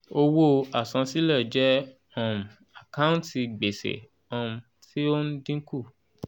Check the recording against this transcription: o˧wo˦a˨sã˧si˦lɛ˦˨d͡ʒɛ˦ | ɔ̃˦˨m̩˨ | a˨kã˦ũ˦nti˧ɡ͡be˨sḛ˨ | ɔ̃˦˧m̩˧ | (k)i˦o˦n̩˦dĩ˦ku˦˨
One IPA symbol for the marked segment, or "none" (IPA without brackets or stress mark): t